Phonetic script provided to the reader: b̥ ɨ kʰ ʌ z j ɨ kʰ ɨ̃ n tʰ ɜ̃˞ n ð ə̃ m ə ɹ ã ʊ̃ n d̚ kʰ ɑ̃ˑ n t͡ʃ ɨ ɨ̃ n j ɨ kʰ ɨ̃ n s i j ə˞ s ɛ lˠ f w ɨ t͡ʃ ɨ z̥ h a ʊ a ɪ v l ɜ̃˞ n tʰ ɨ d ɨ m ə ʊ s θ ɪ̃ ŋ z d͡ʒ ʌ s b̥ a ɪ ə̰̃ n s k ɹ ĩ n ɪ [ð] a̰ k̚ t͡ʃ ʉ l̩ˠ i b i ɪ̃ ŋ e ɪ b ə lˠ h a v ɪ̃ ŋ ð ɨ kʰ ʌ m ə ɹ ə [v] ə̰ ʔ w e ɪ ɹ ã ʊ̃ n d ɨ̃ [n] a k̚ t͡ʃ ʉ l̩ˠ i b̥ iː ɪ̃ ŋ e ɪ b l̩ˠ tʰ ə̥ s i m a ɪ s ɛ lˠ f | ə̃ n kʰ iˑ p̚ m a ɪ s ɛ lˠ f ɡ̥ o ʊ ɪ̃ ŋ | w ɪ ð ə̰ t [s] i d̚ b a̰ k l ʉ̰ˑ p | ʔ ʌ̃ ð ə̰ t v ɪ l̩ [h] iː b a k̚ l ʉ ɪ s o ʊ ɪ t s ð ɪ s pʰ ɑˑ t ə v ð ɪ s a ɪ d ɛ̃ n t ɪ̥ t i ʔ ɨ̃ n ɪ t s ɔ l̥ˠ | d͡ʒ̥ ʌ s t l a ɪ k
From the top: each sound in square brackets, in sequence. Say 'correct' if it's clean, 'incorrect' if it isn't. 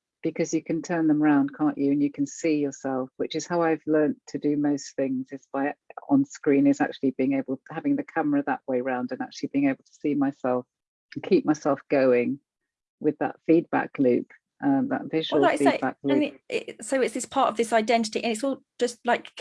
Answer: incorrect: z, incorrect: ð, correct, incorrect: f, incorrect: f

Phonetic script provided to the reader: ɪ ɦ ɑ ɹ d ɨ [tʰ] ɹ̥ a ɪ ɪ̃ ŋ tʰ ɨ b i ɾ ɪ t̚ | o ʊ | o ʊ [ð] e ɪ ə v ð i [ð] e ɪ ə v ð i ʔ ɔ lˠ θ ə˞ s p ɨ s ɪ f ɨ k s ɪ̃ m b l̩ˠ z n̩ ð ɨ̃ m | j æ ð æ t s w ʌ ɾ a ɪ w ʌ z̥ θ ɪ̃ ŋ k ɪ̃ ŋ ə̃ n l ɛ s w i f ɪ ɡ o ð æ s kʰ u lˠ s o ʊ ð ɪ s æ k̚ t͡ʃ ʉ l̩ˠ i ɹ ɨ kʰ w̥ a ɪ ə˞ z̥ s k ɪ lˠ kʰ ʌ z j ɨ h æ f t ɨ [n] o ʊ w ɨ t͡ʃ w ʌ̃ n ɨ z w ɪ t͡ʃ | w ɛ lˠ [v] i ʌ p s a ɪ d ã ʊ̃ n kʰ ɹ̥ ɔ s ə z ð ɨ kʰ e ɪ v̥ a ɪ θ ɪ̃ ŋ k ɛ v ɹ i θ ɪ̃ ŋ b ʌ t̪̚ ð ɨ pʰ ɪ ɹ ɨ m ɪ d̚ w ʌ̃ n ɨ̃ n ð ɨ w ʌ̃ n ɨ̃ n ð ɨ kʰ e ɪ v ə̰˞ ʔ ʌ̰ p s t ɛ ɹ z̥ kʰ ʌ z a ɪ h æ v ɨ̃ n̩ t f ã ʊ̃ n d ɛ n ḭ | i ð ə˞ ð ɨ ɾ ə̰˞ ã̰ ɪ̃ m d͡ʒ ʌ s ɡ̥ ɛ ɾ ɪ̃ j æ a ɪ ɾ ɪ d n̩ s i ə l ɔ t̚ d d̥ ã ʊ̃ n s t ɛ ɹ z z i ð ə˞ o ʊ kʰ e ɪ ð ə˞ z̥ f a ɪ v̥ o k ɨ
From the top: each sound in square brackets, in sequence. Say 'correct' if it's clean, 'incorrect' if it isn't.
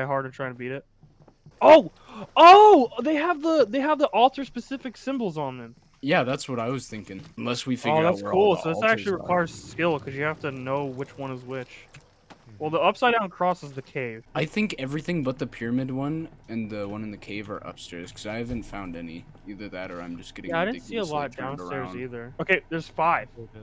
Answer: correct, correct, correct, correct, incorrect: ð

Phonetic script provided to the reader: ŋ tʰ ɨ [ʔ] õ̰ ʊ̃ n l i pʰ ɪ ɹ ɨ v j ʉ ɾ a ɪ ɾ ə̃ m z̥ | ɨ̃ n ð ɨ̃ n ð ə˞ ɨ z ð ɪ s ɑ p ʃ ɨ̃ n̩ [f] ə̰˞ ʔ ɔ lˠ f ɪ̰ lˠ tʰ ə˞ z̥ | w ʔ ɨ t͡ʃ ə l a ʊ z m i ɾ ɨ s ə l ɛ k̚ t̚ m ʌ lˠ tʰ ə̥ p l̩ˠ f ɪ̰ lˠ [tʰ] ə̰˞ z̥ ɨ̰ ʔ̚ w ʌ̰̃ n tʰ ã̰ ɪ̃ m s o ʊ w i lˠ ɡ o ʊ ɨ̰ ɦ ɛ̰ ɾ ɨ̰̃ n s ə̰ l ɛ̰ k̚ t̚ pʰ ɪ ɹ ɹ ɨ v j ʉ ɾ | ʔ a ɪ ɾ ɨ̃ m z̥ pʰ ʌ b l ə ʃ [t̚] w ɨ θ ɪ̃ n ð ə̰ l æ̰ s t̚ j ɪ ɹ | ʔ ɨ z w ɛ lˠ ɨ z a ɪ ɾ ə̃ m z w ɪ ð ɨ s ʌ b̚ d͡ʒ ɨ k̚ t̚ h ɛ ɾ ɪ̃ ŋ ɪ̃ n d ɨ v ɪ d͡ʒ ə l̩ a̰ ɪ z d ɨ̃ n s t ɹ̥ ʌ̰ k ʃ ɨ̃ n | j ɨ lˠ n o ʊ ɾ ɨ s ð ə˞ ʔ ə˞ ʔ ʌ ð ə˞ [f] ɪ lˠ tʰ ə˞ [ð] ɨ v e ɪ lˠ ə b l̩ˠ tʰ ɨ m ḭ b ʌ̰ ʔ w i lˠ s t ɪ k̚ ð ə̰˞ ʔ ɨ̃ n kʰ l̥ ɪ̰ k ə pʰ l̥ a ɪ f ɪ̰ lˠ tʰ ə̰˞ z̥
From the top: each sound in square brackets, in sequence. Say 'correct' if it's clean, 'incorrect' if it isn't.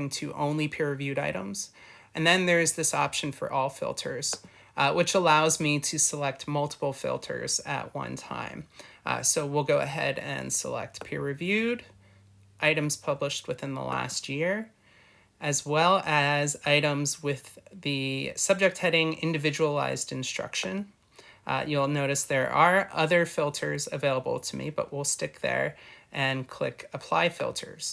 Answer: correct, correct, correct, correct, correct, incorrect: z

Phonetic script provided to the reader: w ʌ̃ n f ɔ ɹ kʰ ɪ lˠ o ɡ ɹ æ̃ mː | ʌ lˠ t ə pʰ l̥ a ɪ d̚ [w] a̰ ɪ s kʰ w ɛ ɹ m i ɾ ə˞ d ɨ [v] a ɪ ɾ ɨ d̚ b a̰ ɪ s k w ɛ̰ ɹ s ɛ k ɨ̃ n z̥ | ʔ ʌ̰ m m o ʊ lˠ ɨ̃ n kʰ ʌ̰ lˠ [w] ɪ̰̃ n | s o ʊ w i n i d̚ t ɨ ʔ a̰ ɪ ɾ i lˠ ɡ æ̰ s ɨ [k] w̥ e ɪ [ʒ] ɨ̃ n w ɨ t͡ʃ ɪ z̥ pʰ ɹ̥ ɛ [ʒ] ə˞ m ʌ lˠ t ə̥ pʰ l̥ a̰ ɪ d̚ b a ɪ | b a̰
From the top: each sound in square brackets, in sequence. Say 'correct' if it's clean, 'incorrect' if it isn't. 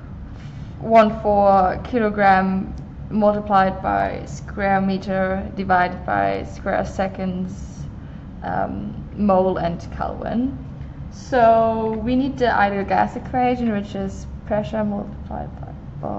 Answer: incorrect: b, correct, correct, incorrect: kʰ, correct, incorrect: ʃ

